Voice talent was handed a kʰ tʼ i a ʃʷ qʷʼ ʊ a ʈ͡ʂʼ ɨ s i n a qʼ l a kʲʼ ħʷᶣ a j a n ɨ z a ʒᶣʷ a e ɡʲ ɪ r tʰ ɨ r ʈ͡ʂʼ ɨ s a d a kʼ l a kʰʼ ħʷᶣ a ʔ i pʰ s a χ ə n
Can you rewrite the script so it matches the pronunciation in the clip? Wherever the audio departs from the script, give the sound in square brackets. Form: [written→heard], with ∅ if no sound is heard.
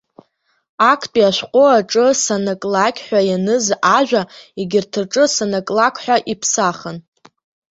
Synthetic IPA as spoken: a kʰ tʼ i a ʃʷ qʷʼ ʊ a ʈ͡ʂʼ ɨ s [i→a] n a [qʼ→kʼ] l a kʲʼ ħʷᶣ a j a n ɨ z a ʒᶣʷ a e ɡʲ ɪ r tʰ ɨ r ʈ͡ʂʼ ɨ s a [d→n] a kʼ l a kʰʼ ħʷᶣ a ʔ i pʰ s a χ ə n

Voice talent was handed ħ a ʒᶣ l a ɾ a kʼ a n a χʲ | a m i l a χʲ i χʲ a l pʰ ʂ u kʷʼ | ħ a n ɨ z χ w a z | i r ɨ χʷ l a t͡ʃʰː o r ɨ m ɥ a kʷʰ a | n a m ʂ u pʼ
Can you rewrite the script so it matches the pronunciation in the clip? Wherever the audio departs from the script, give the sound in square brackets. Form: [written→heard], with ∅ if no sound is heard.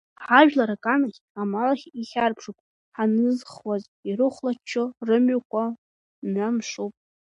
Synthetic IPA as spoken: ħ a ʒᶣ l a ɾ a kʼ a n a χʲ | a m [i→a] l a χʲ i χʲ a [l→r] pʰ ʂ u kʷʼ | ħ a n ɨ z χ w a z | i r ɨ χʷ l a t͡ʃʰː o r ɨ m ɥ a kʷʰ a | n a m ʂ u pʼ

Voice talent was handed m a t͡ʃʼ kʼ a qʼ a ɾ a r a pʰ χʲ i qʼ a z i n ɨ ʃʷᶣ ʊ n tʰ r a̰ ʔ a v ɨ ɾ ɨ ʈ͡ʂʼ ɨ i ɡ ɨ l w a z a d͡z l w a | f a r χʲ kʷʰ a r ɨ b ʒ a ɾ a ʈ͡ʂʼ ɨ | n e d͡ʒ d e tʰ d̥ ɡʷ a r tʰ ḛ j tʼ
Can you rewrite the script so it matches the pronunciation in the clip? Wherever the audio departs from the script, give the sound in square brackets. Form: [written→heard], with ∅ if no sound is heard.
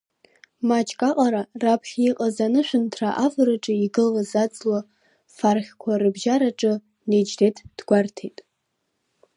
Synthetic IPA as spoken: m a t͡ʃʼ kʼ a qʼ a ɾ a r a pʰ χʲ i qʼ a z [i→a] n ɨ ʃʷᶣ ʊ n tʰ r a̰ ʔ a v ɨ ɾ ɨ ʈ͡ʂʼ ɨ i ɡ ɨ l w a z a d͡z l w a | f a r χʲ kʷʰ a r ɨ b ʒ a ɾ a ʈ͡ʂʼ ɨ | n e d͡ʒ d e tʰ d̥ ɡʷ a r tʰ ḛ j tʼ

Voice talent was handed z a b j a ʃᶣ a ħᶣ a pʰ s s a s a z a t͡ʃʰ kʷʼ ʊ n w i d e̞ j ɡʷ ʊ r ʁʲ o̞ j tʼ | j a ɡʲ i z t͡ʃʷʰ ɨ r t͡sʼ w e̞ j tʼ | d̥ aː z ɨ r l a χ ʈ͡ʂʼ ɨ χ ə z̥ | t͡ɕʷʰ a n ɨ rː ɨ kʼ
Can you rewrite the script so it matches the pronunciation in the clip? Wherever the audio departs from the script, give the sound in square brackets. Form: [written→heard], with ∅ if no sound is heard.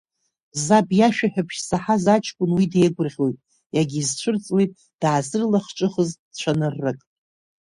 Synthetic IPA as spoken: z a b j a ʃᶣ a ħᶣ a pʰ [s→ʃ] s a [s→ħ] a z a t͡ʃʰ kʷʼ ʊ n w i d e̞ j ɡʷ ʊ r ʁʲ o̞ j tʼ | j a ɡʲ i z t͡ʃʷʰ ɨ r t͡sʼ w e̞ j tʼ | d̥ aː z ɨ r l a χ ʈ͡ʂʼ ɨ χ ə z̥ | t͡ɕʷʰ a n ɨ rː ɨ kʼ

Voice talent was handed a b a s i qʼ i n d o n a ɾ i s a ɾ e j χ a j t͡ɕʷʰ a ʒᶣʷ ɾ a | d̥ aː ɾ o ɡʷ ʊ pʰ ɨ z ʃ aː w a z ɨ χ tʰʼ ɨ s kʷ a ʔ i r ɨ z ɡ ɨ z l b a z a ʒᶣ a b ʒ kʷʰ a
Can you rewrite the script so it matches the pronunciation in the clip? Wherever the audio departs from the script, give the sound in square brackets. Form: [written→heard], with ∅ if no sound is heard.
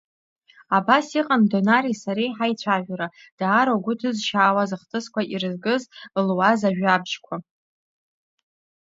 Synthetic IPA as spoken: a b a s i qʼ [i→a] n d o n a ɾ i s a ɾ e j [χ→ħ] a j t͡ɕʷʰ a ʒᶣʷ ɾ a | d̥ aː ɾ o ɡʷ ʊ [pʰ→tʰ] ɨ z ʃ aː w a z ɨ χ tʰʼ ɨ s kʷ a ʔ i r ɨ z ɡ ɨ z l [b→w] a z a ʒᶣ a b ʒ kʷʰ a

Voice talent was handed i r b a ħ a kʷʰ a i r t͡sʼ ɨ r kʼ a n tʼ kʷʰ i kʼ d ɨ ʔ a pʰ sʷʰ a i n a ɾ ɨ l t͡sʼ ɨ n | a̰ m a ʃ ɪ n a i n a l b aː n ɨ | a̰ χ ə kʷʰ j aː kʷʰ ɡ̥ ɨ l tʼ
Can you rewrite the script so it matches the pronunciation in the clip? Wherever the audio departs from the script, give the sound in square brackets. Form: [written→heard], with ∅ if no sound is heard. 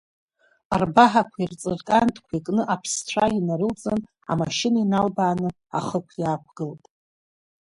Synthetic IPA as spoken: [i→a] r b a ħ a kʷʰ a i r t͡sʼ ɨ r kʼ a n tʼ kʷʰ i kʼ [d→n] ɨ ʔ a pʰ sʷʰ a i n a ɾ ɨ l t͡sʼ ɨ n | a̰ m a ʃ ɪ n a i n a l b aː n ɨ | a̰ χ ə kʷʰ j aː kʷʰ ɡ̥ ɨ l tʼ

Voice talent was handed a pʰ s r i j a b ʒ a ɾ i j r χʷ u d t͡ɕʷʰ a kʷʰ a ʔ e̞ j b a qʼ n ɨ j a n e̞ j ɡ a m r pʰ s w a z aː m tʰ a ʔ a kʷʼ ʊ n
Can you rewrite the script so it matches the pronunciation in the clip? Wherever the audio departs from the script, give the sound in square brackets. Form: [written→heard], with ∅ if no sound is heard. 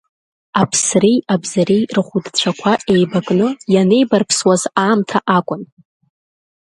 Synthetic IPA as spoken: a pʰ s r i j a b [ʒ→z] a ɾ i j r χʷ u d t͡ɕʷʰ a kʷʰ a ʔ e̞ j b a [qʼ→kʼ] n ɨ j a n e̞ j [ɡ→b] a [m→∅] r pʰ s w a z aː m tʰ a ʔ a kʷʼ ʊ n

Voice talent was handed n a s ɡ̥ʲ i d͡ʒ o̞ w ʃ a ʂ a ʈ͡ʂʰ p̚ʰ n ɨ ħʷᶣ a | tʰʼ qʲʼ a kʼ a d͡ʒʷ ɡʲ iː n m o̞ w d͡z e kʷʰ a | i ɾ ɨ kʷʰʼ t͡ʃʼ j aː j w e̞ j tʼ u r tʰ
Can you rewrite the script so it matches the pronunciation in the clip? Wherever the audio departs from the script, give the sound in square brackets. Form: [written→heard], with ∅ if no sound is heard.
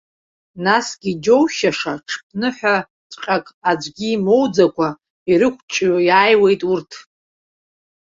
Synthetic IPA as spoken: n a s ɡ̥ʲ i d͡ʒ o̞ w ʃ a ʂ a ʈ͡ʂʰ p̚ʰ n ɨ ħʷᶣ a | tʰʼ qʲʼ a kʼ a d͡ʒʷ ɡʲ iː [n→∅] m o̞ w d͡z [e→a] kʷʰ a | i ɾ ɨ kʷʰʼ t͡ʃʼ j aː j w e̞ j tʼ u r tʰ

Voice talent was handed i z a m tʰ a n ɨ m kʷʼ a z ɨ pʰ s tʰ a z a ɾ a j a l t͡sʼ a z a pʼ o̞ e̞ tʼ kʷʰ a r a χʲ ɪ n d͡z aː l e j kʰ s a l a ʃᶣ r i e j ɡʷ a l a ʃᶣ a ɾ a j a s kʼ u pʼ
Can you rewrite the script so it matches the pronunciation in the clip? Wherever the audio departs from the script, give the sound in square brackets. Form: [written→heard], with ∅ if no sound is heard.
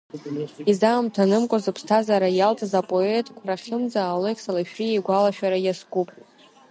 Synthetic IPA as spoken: i z a m tʰ a n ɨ m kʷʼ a z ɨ pʰ s tʰ a z a ɾ a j a l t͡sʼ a z a pʼ o̞ e̞ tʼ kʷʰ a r a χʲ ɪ [n→m] d͡z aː l e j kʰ s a l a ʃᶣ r i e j ɡʷ a l a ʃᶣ a ɾ a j a s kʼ u pʼ

